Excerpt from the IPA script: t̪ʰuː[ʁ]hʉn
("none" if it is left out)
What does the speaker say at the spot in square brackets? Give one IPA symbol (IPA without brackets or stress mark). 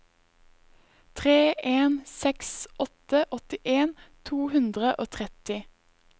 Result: none